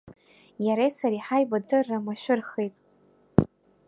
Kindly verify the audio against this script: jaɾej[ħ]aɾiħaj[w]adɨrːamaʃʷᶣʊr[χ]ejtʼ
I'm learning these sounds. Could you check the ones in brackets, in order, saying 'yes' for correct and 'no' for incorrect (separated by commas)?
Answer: no, no, yes